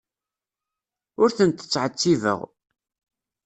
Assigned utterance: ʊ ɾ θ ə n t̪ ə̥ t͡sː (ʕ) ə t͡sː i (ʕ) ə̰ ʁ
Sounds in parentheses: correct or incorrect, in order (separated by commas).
correct, incorrect